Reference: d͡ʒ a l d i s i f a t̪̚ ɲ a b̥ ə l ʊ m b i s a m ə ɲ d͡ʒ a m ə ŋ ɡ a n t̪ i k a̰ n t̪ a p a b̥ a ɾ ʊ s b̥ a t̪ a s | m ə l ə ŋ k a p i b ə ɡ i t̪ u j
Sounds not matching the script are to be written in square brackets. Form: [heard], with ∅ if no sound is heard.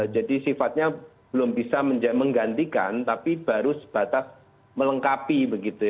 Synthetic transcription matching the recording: d͡ʒ a [∅] d i s i f a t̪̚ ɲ a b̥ ə l ʊ m b i s a m ə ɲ d͡ʒ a m ə ŋ ɡ a n t̪ i k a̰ n t̪ a p [i] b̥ a ɾ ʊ s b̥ a t̪ a s | m ə l ə ŋ k a p i b ə ɡ i t̪ u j